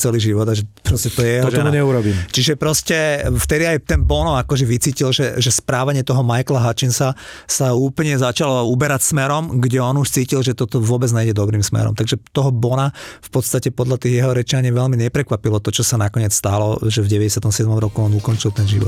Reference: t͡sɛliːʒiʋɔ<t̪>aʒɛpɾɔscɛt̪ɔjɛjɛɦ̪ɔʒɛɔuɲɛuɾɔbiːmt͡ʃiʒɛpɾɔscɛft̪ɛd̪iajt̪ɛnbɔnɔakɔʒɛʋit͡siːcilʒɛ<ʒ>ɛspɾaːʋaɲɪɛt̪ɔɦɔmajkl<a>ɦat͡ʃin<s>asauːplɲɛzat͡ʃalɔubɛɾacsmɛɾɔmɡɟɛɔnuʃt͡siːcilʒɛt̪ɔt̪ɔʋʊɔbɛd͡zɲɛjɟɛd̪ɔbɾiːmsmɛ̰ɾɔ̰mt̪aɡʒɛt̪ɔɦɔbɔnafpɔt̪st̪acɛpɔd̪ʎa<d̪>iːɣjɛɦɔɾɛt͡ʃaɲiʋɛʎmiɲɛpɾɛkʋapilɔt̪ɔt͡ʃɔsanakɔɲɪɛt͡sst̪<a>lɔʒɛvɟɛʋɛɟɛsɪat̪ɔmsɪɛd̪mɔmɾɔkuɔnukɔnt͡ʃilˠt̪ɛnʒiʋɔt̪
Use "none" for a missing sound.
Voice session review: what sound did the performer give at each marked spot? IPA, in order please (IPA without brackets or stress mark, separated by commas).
d̪, ʒ, a, s, t̪, a